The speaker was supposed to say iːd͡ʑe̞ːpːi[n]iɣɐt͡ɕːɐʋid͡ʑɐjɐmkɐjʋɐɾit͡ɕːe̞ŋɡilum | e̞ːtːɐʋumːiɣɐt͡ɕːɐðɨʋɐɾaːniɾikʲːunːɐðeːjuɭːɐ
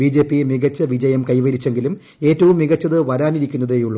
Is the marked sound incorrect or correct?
incorrect